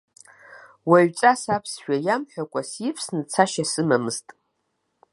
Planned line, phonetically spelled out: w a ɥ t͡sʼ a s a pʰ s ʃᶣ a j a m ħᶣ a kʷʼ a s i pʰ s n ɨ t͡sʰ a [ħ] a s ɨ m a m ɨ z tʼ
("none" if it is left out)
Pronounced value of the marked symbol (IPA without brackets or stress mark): ʃ